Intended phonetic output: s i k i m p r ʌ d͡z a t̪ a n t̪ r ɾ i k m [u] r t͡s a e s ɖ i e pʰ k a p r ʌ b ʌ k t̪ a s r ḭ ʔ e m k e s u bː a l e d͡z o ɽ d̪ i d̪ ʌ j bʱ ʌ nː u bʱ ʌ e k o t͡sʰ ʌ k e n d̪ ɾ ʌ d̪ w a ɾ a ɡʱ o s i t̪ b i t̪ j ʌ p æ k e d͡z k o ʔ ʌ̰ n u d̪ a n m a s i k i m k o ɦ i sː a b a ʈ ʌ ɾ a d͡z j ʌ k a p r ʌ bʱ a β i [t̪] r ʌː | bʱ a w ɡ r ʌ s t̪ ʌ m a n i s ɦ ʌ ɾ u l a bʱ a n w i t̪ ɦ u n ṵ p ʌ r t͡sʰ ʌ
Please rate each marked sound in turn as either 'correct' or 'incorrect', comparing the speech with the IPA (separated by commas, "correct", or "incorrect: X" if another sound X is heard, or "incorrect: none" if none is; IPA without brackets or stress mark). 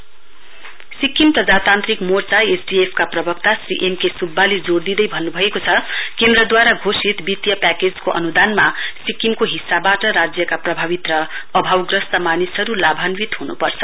incorrect: o, correct